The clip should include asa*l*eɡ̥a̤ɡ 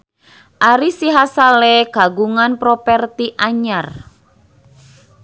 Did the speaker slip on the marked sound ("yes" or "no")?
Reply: no